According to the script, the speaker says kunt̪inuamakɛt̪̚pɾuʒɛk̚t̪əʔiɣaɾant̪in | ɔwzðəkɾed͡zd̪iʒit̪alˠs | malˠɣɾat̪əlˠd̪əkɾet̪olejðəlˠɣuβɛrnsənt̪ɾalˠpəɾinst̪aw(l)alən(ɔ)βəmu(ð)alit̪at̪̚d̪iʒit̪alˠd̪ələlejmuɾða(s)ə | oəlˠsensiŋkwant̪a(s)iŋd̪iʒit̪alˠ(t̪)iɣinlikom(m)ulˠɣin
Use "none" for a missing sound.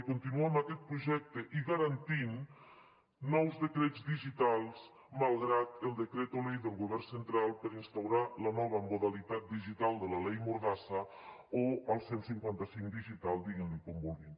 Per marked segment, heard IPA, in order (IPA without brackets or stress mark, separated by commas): ɾ, ɔ, ð, s, s, d̪, b